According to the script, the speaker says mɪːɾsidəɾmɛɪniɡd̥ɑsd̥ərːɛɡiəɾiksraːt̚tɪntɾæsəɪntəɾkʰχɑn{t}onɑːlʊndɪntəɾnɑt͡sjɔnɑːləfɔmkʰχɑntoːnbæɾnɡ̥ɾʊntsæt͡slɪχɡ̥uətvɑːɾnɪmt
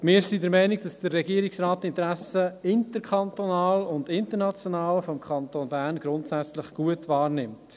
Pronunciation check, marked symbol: correct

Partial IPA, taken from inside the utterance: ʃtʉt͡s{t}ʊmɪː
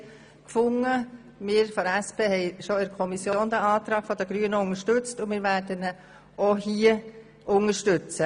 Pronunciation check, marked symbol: correct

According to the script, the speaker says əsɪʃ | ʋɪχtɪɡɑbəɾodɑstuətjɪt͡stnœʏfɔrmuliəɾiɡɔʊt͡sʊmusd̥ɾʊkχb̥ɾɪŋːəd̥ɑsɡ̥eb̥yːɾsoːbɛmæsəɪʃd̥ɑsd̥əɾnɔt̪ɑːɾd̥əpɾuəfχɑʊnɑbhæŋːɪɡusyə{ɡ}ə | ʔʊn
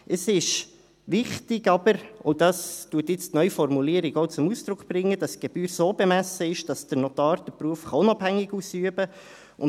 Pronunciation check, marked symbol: incorrect: b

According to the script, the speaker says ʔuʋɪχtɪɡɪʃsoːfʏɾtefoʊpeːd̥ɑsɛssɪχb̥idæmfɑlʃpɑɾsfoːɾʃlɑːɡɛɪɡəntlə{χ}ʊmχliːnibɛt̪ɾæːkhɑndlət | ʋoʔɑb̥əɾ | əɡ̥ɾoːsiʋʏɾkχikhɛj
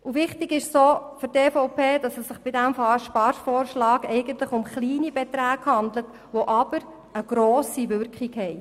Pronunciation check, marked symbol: correct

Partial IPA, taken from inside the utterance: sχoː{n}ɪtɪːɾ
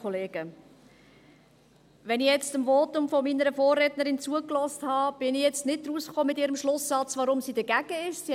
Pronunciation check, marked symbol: incorrect: m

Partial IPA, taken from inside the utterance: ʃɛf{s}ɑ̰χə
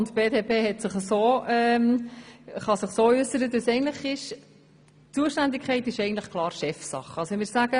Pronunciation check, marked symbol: correct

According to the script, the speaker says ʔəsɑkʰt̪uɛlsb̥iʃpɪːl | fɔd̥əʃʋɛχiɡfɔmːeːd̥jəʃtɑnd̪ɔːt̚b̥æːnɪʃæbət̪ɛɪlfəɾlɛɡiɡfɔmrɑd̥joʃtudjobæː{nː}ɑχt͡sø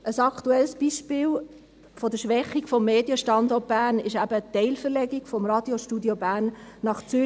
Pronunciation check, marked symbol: correct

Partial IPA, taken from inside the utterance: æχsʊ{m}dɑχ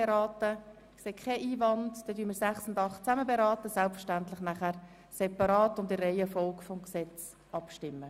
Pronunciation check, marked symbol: incorrect: n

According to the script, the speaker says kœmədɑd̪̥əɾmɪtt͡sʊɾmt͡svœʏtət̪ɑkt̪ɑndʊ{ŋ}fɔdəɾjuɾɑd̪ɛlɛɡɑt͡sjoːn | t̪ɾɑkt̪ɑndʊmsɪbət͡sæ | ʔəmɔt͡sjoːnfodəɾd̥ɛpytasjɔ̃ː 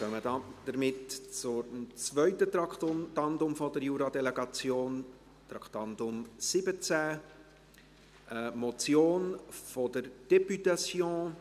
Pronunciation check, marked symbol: incorrect: m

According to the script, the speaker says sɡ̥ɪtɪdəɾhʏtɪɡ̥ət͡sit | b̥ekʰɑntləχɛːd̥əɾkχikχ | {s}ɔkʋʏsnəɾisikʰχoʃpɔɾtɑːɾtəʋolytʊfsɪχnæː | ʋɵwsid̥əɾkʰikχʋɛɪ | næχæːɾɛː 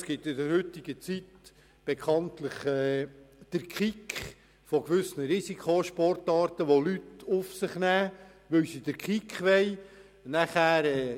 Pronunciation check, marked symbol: incorrect: f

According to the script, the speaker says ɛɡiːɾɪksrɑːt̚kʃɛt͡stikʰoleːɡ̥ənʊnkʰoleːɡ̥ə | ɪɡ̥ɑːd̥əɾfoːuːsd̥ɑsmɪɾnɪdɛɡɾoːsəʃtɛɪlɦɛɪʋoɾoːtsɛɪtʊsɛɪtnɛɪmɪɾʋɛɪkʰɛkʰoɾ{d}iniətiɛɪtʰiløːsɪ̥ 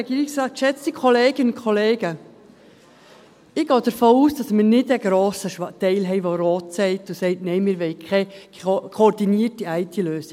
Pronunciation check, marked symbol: correct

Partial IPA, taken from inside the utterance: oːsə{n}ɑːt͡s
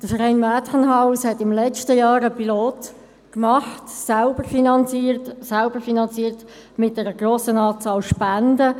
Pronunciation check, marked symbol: correct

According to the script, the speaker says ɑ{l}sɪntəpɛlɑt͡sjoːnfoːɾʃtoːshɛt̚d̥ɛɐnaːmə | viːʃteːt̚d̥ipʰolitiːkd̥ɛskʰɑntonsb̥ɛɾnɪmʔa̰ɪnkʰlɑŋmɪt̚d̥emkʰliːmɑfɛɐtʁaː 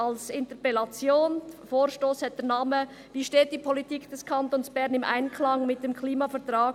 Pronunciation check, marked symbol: correct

